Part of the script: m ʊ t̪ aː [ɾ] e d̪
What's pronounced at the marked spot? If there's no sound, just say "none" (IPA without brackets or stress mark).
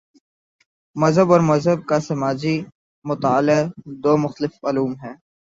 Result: l